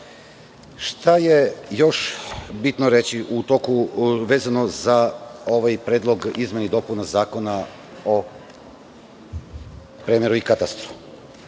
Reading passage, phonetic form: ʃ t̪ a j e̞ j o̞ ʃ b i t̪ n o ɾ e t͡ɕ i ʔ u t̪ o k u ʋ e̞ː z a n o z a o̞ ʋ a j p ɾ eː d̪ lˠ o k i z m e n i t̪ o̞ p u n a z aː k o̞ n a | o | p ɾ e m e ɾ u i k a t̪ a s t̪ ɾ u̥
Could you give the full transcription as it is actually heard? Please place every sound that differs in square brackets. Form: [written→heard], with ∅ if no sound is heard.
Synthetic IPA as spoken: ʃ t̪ a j e̞ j o̞ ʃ b i t̪ n o ɾ e t͡ɕ i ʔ u t̪ o k u ʋ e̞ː z a n o z a o̞ ʋ a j p ɾ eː d̪ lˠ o [k→ɡ] i z m e n i [t̪→d̪] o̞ p u n a z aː k o̞ n a | o | p ɾ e m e ɾ u i k a t̪ a s t̪ ɾ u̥